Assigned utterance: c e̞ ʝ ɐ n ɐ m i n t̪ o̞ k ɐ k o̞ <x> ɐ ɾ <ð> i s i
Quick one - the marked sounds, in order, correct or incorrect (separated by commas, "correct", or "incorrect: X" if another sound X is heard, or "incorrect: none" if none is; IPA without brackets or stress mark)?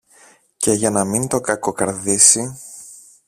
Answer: incorrect: k, correct